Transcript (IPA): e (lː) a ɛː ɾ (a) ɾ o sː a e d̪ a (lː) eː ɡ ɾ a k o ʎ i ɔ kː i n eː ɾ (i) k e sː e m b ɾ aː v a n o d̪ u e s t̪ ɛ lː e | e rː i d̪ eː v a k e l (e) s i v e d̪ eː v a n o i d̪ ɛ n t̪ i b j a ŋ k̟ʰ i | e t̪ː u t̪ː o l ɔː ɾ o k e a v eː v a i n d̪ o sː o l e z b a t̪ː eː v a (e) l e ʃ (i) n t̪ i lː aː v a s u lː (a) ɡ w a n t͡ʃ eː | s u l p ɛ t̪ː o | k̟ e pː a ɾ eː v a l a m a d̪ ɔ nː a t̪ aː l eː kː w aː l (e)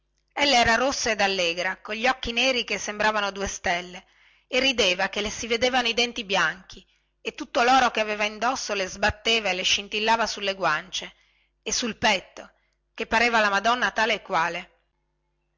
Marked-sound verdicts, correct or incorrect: correct, correct, correct, correct, correct, correct, correct, incorrect: e, correct

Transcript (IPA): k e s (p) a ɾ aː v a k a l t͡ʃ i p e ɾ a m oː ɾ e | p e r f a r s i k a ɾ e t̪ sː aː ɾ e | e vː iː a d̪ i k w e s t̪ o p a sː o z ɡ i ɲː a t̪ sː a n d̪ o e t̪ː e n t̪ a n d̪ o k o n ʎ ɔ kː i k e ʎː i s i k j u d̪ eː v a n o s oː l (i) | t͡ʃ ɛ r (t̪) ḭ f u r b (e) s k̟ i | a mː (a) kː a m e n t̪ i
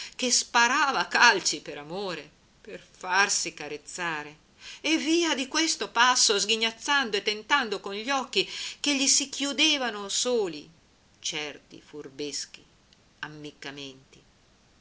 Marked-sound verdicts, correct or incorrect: correct, correct, correct, correct, incorrect: i

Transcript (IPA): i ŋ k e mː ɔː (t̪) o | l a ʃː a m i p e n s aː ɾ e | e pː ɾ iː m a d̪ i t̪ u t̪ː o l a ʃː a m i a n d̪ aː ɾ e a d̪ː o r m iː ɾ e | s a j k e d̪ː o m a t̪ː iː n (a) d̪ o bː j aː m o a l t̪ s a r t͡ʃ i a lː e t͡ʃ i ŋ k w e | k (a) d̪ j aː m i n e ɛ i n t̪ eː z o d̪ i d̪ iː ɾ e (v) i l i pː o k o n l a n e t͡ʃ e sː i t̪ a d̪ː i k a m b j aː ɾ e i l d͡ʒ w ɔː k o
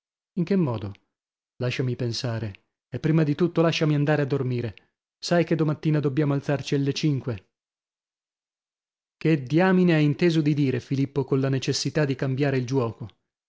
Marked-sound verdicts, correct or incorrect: incorrect: d̪, correct, incorrect: e, incorrect: f

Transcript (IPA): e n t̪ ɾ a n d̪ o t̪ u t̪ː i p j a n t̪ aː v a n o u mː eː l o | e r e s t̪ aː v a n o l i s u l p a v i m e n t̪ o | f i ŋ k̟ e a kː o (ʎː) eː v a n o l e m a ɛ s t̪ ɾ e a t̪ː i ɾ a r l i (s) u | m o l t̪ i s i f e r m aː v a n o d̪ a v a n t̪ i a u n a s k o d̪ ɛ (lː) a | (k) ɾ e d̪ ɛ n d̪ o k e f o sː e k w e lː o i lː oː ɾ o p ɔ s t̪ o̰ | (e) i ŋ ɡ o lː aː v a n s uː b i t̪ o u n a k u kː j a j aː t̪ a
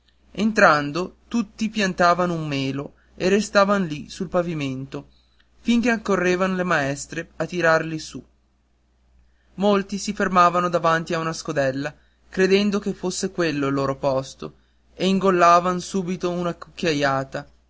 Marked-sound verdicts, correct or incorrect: incorrect: rː, correct, correct, correct, correct

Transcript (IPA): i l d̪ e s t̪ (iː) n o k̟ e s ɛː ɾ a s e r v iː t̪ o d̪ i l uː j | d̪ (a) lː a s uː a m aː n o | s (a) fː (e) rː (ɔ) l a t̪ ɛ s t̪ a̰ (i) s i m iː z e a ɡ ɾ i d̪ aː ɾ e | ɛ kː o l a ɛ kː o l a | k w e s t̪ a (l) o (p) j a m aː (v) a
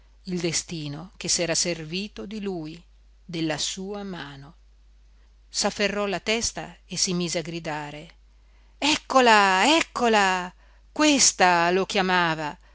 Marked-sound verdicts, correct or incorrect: correct, incorrect: e, correct, correct, correct, incorrect: e, correct, incorrect: k, correct

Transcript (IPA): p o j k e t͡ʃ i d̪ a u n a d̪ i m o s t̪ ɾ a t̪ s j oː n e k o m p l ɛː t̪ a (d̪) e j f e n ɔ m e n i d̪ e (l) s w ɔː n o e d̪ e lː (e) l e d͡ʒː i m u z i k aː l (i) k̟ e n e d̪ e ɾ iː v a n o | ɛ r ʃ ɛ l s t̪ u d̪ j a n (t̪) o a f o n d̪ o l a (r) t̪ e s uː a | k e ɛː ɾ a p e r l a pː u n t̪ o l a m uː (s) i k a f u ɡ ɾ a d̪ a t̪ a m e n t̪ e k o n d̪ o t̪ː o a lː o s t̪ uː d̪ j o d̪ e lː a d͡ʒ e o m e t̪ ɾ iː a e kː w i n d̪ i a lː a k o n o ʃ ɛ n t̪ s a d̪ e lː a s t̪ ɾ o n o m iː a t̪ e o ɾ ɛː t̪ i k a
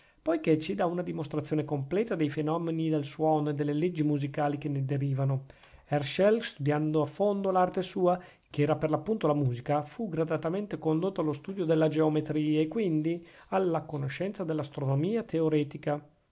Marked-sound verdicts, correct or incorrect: correct, correct, correct, correct, incorrect: d̪, correct, incorrect: z

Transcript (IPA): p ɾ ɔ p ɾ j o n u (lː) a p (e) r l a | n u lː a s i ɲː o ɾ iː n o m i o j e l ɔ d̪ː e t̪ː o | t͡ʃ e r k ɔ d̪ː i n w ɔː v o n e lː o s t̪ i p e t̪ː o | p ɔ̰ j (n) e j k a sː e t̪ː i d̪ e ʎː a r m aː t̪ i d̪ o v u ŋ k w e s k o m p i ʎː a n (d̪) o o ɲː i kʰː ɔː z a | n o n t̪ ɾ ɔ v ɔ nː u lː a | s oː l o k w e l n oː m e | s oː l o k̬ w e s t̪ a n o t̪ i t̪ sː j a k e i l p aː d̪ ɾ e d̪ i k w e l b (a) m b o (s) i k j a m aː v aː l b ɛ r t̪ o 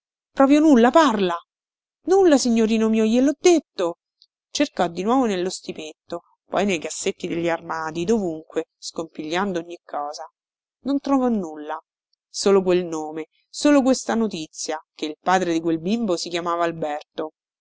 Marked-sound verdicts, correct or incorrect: correct, incorrect: a, correct, correct, incorrect: i, correct

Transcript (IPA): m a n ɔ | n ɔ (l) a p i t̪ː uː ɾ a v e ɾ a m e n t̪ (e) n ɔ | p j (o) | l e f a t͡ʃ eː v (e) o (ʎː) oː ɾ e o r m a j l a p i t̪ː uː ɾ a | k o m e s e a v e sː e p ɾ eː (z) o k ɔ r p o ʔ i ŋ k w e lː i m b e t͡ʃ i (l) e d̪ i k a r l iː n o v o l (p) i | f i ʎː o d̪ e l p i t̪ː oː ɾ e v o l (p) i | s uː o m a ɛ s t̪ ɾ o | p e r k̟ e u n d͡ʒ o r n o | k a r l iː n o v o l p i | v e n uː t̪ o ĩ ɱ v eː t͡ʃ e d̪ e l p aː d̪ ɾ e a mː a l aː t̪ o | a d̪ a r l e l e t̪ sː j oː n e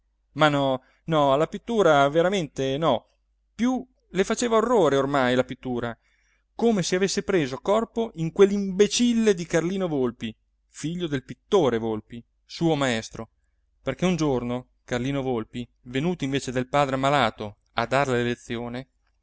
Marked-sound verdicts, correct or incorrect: correct, correct, incorrect: u, incorrect: a, incorrect: rː, correct, incorrect: lː, correct, correct

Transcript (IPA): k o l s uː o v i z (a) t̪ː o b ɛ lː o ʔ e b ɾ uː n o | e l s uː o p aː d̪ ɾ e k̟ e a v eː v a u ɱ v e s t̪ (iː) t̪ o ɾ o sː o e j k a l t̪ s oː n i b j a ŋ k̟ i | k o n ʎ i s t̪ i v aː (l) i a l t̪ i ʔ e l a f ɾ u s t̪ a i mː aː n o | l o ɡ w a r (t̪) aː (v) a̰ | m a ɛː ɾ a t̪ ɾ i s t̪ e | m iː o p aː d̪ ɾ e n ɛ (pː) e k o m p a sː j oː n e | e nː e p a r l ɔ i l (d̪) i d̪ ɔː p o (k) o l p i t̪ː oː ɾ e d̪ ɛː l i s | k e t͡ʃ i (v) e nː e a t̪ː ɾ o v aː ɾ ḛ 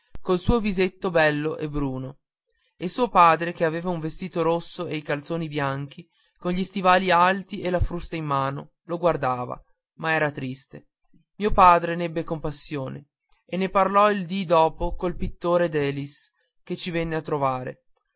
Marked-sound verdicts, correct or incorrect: incorrect: e, correct, correct, incorrect: d̪, correct, incorrect: bː, correct, correct, correct

